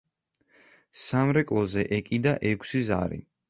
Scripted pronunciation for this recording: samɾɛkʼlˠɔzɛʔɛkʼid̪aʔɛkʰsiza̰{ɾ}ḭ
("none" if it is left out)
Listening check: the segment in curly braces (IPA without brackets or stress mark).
ɾ